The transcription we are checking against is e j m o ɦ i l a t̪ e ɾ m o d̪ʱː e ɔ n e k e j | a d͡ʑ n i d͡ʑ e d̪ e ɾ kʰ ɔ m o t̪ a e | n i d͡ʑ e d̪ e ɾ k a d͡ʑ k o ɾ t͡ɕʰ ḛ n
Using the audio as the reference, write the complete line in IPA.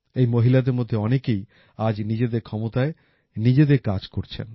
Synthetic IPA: e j m o ɦ i l a d̪ e ɾ m o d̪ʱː e ɔ n e k e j | a d͡ʑ n i d͡ʑ e d̪ e ɾ kʰ ɔ m o t̪ a e | n i d͡ʑ e d̪ e ɾ k a d͡ʑ k o ɾ t͡ɕʰ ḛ n